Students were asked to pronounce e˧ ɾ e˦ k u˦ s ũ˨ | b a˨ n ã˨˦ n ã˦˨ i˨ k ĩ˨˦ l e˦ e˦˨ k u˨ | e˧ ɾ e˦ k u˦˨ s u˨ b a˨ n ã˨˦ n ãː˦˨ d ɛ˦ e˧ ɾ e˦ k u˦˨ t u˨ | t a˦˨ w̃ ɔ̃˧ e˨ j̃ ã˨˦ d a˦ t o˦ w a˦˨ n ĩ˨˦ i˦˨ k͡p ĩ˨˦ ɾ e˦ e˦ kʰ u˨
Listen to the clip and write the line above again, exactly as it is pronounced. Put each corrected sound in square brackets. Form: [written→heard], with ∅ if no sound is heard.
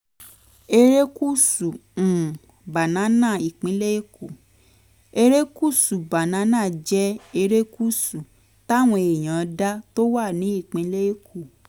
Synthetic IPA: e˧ ɾ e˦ k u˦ s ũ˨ | b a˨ n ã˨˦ n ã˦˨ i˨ [k→k͡p] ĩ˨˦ l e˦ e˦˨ k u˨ | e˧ ɾ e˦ k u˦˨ s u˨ b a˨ n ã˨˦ n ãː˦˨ [d→d͡ʒ] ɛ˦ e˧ ɾ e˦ k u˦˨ [t→s] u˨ | t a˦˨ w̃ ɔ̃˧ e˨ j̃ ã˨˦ d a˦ t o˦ w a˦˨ n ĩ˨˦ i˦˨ k͡p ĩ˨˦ [ɾ→l] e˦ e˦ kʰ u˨